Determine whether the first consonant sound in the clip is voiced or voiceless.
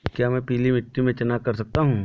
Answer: voiceless